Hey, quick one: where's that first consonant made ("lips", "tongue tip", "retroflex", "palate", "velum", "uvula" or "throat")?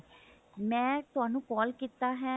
lips